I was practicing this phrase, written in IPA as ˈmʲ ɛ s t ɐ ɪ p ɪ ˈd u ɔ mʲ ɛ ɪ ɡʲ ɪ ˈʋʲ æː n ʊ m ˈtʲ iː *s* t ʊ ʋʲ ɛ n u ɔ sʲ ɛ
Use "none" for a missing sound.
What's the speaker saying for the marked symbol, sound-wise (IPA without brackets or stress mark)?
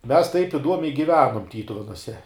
none